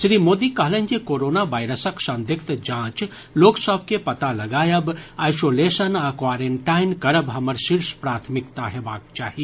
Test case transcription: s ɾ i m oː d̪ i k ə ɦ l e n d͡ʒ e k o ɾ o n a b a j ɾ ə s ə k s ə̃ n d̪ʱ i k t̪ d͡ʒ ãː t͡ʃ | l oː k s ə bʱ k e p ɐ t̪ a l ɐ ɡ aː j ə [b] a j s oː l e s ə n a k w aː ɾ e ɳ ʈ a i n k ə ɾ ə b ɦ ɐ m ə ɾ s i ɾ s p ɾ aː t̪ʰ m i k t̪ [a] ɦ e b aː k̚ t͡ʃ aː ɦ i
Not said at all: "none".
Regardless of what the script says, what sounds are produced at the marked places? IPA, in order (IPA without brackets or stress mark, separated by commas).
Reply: b, a